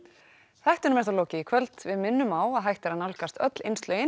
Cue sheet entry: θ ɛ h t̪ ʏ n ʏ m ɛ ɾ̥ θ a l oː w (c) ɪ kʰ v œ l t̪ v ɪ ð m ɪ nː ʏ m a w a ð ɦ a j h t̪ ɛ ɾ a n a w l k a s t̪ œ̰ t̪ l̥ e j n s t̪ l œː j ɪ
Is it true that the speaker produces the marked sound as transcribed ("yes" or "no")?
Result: yes